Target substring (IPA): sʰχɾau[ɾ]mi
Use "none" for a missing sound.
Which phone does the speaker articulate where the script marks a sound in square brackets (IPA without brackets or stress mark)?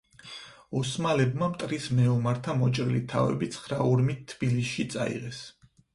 ɾ